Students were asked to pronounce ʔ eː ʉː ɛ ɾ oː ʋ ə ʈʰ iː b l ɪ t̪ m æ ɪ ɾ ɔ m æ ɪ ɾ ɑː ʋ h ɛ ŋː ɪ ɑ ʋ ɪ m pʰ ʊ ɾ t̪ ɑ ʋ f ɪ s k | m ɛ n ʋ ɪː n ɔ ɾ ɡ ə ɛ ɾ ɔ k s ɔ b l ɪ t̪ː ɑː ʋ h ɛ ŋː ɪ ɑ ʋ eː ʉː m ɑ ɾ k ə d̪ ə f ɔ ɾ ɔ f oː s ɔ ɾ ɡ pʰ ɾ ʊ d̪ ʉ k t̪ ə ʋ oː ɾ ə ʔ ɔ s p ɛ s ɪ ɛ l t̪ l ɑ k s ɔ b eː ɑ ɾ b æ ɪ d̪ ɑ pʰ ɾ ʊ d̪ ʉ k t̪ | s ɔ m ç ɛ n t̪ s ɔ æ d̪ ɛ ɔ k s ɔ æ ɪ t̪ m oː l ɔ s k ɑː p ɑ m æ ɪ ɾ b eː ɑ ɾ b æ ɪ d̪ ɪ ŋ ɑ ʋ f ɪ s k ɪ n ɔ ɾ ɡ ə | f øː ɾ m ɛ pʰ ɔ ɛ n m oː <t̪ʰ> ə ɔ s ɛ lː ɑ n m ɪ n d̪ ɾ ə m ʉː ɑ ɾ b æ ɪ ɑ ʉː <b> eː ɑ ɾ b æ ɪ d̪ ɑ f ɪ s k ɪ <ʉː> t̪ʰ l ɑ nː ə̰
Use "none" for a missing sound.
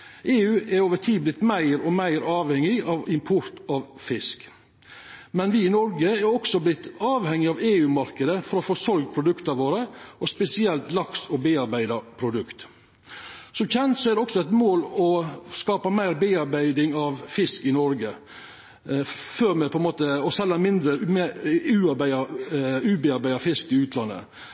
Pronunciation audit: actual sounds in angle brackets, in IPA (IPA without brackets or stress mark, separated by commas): t̪, b, ʉː